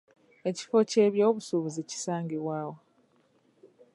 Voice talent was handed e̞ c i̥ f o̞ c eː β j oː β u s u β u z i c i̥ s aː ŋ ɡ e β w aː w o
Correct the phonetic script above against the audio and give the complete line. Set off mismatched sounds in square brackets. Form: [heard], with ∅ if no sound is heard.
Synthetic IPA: e̞ c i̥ f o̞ c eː β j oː β u s u β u z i c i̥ s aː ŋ ɡ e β w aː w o